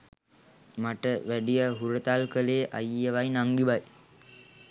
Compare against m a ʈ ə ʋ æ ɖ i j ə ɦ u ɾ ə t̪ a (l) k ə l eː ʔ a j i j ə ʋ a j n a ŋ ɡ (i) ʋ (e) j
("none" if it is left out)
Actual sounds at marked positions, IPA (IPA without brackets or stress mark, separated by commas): l, i, a